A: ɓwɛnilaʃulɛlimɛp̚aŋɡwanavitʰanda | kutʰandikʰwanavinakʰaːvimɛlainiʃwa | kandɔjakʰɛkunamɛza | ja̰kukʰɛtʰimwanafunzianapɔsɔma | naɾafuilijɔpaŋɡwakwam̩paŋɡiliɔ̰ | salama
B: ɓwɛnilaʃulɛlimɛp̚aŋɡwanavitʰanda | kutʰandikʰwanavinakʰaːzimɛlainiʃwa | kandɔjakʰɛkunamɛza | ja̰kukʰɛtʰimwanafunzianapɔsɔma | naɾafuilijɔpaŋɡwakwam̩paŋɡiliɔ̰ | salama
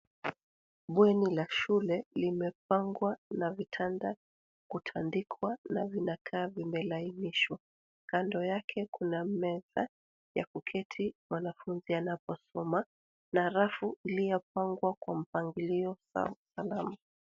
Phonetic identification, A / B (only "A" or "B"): A